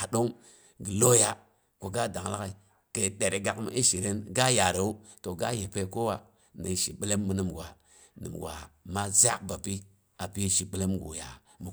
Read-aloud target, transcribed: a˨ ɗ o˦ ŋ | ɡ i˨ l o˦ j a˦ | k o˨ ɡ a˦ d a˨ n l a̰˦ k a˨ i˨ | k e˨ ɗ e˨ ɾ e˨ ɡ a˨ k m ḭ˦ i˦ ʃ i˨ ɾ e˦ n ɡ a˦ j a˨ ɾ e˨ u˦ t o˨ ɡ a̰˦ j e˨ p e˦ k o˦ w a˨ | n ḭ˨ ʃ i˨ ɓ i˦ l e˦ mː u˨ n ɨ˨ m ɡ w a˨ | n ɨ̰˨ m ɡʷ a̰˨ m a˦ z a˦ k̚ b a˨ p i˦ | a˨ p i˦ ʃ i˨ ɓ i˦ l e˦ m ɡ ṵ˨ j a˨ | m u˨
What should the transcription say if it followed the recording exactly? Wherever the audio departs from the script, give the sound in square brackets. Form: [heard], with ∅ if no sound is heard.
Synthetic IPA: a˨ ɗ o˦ ŋ | ɡ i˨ l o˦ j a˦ | k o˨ ɡ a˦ d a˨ [ŋ] l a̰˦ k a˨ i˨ | k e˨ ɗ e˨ ɾ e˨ ɡ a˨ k m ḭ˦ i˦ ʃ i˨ ɾ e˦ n ɡ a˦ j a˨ ɾ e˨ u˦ t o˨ ɡ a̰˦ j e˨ p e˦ k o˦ w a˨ | n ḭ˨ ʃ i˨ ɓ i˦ l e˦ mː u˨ n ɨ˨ m ɡ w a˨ | n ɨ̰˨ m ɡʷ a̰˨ m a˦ z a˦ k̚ b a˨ p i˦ | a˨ p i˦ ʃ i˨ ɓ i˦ l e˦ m ɡ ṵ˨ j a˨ | m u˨